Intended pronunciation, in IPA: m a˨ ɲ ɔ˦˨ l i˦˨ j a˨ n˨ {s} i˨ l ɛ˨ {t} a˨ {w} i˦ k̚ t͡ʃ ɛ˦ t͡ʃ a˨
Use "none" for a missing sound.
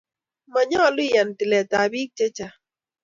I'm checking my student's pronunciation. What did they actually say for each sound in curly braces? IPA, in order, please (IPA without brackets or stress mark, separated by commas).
t, t, b